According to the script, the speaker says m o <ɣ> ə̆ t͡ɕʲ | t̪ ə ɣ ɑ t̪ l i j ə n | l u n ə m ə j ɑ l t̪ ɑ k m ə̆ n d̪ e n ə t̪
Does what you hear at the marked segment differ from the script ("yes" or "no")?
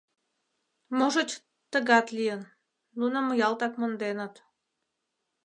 yes